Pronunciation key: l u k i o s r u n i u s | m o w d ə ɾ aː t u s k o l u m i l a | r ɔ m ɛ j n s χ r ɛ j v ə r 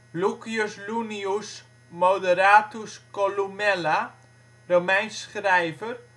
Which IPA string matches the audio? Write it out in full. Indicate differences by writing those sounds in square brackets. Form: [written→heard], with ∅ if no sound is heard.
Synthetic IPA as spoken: l u k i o s [r→l] u n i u s | m o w d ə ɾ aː t u s k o l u m [i→ɛ] l a | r [ɔ→o] m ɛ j n s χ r ɛ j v ə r